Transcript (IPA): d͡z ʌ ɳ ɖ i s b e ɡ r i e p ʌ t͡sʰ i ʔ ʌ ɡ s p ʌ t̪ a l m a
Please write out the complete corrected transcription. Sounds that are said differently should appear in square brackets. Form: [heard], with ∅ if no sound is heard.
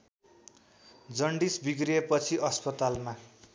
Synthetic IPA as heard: d͡z ʌ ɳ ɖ i s b [i] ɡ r i e p ʌ t͡sʰ i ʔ ʌ [∅] s p ʌ t̪ a l m a